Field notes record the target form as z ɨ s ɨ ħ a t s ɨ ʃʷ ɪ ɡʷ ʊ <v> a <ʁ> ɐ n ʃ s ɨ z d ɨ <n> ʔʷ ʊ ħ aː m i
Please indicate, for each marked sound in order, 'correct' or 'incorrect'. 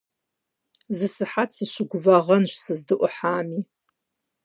correct, correct, incorrect: none

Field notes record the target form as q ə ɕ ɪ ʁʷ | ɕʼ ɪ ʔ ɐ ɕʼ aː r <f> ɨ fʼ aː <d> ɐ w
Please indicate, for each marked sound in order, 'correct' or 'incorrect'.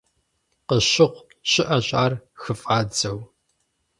incorrect: x, incorrect: d͡z

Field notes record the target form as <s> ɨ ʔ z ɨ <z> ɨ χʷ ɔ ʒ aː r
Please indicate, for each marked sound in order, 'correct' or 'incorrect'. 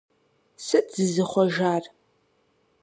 correct, correct

